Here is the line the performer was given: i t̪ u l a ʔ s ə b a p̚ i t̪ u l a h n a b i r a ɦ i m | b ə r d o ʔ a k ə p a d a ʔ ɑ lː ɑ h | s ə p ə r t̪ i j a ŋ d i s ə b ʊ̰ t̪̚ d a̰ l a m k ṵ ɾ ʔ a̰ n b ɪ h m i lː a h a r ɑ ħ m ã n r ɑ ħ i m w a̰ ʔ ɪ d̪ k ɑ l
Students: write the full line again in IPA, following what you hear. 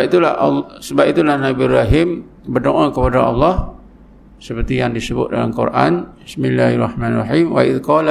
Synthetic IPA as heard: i t̪ u l a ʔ s ə b a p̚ i t̪ u l a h n a b i r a ɦ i m | b ə r d o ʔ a k ə p a d a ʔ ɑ lː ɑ h | s ə p ə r t̪ i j a ŋ d i s ə b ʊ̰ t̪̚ d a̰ l a m k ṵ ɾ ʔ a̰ n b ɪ s m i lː a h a r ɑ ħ m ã n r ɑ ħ i m w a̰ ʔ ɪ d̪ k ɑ l